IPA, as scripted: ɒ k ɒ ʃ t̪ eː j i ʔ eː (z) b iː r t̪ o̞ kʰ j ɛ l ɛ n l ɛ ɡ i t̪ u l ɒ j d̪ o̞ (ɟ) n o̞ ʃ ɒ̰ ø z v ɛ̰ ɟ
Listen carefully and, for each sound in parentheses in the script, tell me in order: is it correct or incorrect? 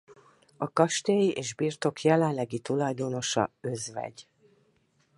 incorrect, incorrect

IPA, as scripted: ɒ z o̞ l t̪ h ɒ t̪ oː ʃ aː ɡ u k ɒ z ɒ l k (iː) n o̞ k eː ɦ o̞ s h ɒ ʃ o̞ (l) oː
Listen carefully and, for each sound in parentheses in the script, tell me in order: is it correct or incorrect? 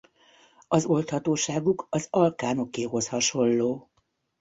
incorrect, incorrect

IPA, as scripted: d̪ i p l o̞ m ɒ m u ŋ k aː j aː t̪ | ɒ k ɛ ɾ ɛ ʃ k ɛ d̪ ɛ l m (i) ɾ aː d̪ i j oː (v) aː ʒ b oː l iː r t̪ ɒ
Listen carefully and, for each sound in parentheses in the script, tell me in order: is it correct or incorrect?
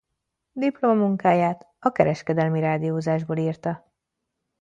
correct, incorrect

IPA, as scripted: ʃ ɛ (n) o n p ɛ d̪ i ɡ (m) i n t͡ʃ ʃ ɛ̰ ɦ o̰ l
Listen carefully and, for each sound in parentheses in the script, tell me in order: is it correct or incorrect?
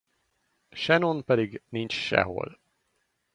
correct, incorrect

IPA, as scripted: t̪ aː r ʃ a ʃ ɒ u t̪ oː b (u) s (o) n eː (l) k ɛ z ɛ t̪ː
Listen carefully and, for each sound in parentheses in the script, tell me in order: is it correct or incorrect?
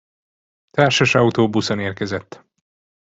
correct, correct, incorrect

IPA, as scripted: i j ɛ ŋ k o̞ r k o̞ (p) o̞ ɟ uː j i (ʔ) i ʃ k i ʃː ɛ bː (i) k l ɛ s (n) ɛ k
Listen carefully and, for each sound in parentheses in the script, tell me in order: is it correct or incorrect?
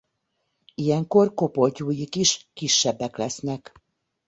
correct, incorrect, incorrect, correct

